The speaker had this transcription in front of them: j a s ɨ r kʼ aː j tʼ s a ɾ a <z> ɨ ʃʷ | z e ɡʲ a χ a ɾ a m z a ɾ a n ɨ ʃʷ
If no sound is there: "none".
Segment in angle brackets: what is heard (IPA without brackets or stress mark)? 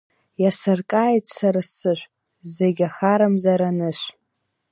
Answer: s